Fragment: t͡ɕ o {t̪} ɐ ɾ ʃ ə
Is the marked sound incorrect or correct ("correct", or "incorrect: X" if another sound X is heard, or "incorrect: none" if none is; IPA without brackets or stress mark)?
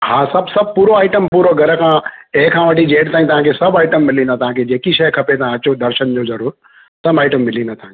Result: incorrect: d̪